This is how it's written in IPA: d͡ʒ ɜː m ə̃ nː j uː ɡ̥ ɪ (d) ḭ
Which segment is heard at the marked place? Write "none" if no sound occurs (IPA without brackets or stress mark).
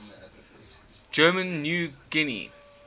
n